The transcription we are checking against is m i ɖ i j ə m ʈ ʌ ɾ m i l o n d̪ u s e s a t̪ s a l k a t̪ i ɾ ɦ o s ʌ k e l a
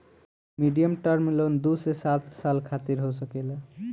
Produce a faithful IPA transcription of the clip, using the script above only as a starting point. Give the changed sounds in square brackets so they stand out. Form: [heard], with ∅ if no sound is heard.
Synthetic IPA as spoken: m i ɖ i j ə m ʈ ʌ ɾ m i l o n d̪ u s e s a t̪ s a l [kʰ] a t̪ i ɾ ɦ o s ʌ k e l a

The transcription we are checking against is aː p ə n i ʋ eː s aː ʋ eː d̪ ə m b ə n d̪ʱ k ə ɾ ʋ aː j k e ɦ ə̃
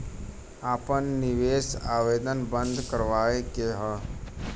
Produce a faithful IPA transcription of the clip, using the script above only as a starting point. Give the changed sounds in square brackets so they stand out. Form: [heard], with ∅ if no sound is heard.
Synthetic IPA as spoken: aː p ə [nː] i ʋ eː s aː ʋ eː d̪ ə [n] b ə n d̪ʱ k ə ɾ ʋ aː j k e ɦ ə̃

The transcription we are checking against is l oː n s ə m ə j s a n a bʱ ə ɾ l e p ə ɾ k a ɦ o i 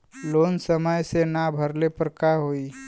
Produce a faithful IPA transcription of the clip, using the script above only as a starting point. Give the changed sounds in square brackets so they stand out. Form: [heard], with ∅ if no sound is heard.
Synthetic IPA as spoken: l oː n s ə m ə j s [e] n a bʱ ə ɾ l e p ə ɾ k a ɦ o i

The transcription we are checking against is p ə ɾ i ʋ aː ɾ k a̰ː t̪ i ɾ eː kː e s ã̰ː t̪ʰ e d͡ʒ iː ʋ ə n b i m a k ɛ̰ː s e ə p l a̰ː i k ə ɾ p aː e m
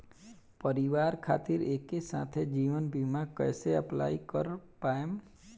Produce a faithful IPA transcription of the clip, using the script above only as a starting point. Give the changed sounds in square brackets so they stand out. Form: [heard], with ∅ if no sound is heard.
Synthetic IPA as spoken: p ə ɾ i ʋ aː ɾ [kʰ] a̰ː t̪ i ɾ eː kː e s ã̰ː t̪ʰ e d͡ʒ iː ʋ ə n b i m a k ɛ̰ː s e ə p l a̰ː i k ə ɾ p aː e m

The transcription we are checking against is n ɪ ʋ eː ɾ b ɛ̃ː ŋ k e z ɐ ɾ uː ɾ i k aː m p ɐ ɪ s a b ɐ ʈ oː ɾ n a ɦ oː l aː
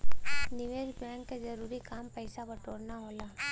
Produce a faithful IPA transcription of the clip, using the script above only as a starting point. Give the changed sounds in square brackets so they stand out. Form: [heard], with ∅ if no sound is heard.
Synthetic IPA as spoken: n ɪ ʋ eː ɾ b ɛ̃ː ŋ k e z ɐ ɾ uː ɾ i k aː m p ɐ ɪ s a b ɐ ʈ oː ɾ n a ɦ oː l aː

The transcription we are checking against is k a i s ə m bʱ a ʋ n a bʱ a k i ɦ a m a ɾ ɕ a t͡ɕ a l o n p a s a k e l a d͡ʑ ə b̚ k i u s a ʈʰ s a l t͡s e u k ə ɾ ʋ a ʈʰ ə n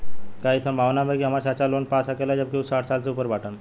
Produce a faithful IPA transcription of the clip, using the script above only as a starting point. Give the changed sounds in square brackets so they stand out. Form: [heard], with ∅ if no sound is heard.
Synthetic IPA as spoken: k a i s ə m bʱ a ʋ n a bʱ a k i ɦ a m a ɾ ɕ a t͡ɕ a l o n p a s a k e l a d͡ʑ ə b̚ k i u s a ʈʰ s a l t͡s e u [p] ə ɾ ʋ a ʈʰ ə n

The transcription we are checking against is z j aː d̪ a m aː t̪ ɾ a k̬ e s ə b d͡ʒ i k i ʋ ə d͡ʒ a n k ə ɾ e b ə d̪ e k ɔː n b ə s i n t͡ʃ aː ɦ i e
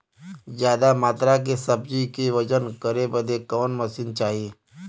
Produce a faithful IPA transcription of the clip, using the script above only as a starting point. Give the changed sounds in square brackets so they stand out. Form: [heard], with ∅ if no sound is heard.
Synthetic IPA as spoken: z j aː d̪ a m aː t̪ ɾ a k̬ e s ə b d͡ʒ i k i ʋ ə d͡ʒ [ə] n k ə ɾ e b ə d̪ e k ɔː n [m] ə s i n t͡ʃ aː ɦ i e

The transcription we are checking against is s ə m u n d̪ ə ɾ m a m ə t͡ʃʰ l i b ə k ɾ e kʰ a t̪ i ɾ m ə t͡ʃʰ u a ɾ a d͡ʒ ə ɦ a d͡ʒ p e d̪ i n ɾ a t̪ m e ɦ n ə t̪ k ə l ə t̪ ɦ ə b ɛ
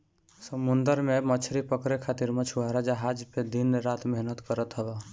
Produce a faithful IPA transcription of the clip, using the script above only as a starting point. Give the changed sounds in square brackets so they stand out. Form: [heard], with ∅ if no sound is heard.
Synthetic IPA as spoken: s ə m u n d̪ ə ɾ m [e] m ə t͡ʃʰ [ɾ] i [p] ə k ɾ e kʰ a t̪ i ɾ m ə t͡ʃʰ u a ɾ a d͡ʒ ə ɦ a d͡ʒ p e d̪ i n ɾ a t̪ m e ɦ n ə t̪ k ə [ɾ] ə t̪ ɦ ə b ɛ

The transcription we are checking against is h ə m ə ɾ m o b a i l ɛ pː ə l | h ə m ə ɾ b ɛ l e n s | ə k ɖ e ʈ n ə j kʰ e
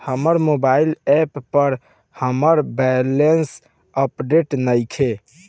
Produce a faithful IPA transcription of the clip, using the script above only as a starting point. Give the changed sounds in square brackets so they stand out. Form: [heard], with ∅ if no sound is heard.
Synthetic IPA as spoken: h ə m ə ɾ m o b a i l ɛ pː ə [ɾ] | h ə m ə ɾ b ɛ l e n s | ə [p] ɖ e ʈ n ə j kʰ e

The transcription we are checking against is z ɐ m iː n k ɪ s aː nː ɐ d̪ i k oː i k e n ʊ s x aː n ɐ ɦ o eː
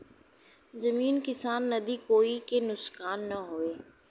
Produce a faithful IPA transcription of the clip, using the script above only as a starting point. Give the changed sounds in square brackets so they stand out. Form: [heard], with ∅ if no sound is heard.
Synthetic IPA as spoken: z ɐ m iː n k ɪ s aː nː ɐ d̪ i k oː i k e n ʊ s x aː [nː] ɐ ɦ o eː

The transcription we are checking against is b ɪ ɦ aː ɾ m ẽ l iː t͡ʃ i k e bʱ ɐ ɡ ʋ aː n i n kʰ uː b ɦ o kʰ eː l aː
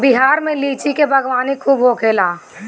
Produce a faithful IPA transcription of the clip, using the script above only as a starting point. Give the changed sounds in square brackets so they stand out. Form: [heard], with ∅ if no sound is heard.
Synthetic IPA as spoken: b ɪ ɦ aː ɾ m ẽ l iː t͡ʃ i k e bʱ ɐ ɡ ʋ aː n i [∅] kʰ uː b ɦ o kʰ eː l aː

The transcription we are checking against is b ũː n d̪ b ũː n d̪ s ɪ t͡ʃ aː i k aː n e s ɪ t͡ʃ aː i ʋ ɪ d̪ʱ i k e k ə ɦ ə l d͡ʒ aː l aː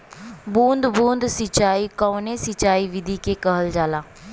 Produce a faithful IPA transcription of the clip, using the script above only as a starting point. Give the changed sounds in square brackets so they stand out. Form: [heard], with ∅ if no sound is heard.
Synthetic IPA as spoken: b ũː n d̪ b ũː n d̪ s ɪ t͡ʃ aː i k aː n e s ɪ t͡ʃ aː i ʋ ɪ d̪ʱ i k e k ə ɦ ə l d͡ʒ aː l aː

